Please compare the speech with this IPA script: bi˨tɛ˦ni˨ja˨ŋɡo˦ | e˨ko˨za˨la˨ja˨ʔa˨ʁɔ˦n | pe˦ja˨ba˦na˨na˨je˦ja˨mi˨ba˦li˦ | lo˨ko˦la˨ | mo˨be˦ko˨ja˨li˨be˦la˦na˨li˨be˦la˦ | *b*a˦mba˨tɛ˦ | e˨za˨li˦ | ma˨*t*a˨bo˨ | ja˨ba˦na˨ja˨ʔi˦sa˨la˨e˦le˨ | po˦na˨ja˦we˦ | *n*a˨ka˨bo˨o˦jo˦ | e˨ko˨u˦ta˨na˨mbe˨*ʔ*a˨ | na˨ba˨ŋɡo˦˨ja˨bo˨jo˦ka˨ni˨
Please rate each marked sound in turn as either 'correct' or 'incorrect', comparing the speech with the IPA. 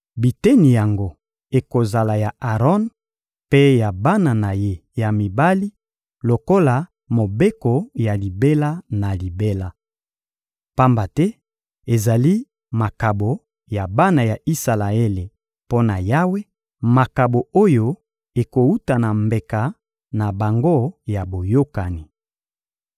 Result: incorrect: p, incorrect: k, incorrect: m, incorrect: k

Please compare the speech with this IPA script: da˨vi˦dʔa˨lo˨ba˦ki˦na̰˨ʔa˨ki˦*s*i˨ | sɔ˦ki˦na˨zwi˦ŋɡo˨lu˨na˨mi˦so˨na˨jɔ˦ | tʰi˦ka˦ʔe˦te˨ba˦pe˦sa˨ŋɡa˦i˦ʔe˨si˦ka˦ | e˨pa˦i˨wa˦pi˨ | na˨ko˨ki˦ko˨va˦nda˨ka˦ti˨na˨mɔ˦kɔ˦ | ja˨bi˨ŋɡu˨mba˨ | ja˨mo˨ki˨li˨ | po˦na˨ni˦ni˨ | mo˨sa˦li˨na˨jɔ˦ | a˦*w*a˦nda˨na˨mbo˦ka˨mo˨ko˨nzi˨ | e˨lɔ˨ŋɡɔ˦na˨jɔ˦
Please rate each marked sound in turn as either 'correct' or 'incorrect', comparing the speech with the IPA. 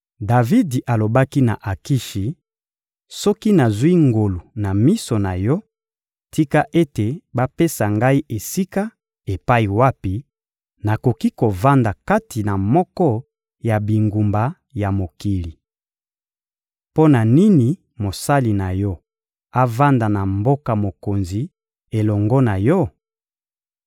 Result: incorrect: ʃ, incorrect: v

